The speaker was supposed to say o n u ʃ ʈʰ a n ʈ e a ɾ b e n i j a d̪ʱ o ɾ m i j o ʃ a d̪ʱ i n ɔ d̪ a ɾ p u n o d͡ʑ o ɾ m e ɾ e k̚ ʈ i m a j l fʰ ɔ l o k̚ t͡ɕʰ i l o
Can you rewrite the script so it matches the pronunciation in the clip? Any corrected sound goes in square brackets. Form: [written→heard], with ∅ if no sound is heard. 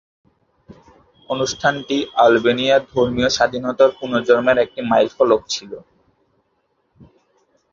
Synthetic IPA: o n u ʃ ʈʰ a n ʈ [e→i] a [ɾ→l] b e n i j a d̪ʱ o ɾ m i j o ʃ a d̪ʱ i n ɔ [d̪→t̪] a ɾ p u n o d͡ʑ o ɾ m e ɾ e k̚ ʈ i m a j l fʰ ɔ l o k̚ t͡ɕʰ i l o

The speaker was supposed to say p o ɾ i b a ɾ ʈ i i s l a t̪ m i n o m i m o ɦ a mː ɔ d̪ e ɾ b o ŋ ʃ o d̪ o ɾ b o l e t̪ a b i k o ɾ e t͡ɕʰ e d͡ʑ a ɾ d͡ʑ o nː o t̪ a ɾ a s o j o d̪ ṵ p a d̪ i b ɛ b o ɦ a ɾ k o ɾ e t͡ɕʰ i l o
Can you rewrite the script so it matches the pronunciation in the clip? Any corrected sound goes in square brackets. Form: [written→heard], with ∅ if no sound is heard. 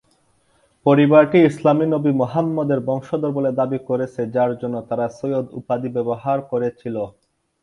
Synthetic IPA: p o ɾ i b a ɾ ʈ i i s l a [t̪→∅] m i n o [m→b] i m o ɦ a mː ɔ d̪ e ɾ b [o→ɔ] ŋ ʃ o d̪ o ɾ b o l e [t̪→d̪] a b i k o ɾ e t͡ɕʰ e d͡ʑ a ɾ d͡ʑ o nː o t̪ a ɾ a s o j o d̪ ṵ p a d̪ i b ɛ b o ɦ a ɾ k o ɾ e t͡ɕʰ i l o

